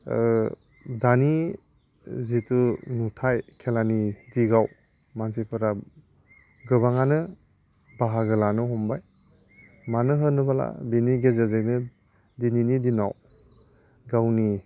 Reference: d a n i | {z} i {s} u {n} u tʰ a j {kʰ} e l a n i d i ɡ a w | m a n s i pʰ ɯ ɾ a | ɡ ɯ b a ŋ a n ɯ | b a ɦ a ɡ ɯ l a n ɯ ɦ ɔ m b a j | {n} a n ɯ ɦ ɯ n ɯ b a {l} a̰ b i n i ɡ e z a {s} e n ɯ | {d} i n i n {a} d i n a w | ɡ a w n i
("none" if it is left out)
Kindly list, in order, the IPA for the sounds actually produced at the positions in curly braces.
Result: z, t, n, kʰ, m, l, z, d, i

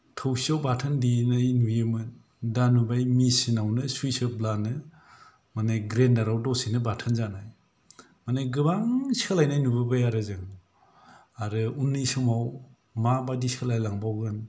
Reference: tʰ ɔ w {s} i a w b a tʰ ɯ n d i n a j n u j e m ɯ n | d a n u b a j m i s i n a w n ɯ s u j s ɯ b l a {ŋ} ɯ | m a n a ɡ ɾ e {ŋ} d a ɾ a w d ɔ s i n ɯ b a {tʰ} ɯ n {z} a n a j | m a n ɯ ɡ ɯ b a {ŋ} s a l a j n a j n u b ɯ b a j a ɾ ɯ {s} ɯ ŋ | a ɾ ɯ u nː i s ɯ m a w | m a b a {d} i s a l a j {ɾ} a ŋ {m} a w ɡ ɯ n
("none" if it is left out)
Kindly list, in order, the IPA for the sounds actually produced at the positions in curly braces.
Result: s, n, n, tʰ, z, ŋ, z, d, l, b

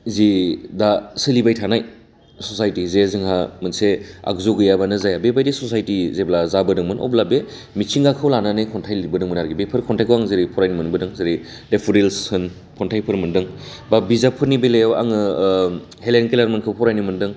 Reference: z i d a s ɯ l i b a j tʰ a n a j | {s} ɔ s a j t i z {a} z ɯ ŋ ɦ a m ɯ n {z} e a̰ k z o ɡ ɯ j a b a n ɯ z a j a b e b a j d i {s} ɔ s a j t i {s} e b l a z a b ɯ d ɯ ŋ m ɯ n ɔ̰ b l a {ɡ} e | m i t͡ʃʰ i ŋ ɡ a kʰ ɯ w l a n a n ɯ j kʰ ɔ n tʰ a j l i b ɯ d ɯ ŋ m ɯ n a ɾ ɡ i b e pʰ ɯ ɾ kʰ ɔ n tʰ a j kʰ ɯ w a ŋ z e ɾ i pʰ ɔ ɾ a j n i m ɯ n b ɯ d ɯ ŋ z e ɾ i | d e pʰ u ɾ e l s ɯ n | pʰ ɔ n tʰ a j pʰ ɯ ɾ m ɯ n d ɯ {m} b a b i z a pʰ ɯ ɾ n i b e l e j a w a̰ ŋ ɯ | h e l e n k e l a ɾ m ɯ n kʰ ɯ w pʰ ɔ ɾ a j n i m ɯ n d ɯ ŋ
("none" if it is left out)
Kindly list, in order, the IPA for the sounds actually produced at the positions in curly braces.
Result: s, e, s, s, z, b, ŋ

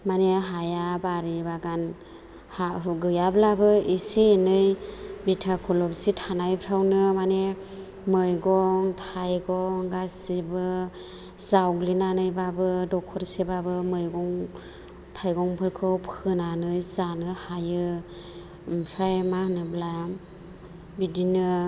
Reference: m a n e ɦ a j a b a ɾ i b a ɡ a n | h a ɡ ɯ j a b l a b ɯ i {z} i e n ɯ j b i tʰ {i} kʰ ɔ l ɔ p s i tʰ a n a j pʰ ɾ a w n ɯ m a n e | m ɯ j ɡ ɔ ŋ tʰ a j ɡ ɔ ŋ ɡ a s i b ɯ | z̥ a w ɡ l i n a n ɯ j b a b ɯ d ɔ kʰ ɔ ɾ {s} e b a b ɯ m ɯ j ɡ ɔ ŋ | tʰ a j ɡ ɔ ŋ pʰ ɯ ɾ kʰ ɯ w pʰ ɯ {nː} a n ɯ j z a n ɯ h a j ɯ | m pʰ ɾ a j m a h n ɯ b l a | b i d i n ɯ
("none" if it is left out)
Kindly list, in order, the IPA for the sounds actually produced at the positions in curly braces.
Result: s, a, s, n

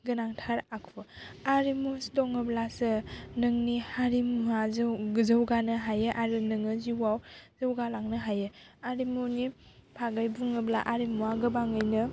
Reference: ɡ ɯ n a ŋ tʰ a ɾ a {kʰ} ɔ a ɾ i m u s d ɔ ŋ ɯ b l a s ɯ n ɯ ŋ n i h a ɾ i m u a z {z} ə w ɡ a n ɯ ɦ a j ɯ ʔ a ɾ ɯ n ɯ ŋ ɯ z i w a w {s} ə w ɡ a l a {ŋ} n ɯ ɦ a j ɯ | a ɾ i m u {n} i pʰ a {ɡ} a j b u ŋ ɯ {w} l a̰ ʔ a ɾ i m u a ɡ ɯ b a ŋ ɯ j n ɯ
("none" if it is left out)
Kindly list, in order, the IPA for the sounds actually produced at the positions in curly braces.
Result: kʰ, z, z, ŋ, n, ɡ, b

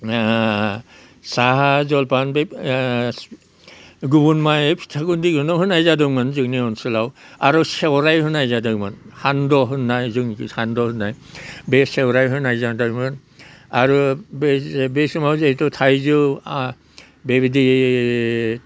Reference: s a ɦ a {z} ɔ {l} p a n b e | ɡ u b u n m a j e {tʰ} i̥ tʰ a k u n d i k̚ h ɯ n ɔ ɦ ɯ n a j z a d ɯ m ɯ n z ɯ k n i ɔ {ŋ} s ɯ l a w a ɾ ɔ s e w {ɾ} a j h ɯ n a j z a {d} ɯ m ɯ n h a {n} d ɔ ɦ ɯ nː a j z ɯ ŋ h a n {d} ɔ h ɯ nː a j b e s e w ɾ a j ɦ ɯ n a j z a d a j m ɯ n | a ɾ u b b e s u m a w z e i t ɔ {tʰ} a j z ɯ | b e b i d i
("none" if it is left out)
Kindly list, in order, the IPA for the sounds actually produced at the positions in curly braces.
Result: z, l, pʰ, n, ɾ, d, n, d, tʰ

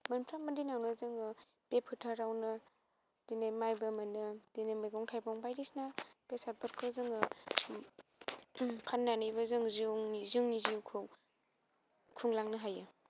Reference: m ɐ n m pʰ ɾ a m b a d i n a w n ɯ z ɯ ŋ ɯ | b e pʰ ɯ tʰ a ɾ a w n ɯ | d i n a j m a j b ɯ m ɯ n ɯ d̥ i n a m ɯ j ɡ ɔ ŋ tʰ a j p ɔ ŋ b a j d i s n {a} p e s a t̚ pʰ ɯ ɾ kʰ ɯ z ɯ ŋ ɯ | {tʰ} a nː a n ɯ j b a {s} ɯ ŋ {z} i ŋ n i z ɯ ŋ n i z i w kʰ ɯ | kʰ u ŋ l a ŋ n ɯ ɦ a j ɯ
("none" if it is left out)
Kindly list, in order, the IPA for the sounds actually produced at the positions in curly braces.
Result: a, pʰ, z, z

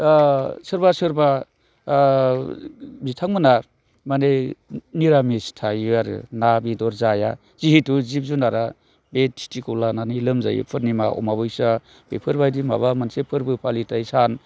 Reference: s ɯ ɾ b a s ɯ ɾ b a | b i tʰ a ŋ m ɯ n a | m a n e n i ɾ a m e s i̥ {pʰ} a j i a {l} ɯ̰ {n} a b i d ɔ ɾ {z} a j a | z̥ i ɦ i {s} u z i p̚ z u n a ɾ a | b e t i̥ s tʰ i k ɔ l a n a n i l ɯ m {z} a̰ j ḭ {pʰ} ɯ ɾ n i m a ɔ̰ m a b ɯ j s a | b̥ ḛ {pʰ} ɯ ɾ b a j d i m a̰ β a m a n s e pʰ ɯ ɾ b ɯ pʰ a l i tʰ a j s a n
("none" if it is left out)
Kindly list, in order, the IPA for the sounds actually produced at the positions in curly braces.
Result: tʰ, ɾ, n, z, t, z, pʰ, pʰ

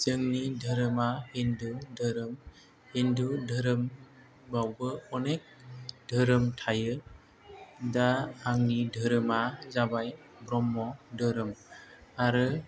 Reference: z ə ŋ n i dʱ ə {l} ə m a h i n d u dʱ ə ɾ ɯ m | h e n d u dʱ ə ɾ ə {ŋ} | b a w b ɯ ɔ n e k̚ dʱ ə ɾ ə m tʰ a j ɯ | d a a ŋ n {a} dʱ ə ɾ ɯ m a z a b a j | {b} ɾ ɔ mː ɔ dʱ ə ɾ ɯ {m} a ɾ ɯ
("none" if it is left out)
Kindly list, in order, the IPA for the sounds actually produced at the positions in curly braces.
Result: ɾ, m, i, b, m

